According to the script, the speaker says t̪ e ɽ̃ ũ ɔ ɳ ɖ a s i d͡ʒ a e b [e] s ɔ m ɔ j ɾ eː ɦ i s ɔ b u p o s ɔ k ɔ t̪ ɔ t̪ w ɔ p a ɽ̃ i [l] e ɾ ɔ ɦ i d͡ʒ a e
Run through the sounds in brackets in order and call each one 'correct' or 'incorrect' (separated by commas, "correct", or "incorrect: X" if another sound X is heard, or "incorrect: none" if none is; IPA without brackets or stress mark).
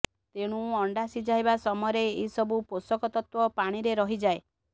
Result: incorrect: a, incorrect: ɾ